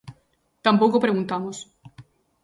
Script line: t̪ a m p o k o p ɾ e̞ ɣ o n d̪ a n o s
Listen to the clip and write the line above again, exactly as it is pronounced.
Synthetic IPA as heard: t̪ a m p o k o p ɾ e̞ ɣ u n t̪ a m o s